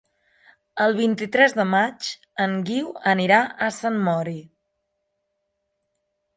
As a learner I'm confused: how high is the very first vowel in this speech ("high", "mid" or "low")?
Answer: mid